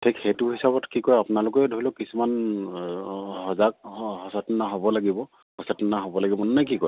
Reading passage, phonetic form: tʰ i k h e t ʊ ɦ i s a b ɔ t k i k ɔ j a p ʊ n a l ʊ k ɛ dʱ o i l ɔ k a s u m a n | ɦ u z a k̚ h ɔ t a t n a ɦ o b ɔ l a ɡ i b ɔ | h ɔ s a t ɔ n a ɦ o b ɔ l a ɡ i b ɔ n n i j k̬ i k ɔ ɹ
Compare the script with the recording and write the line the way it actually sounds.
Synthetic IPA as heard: tʰ i k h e t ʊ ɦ i s a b ɔ t k i k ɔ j a p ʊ n a l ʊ k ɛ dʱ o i l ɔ k i s u m a n | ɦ ɔ z a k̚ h ɔ s a t n a ɦ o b ɔ l a ɡ i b ɔ | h ɔ s a t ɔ n a ɦ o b ɔ l a ɡ i b ɔ n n a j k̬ i k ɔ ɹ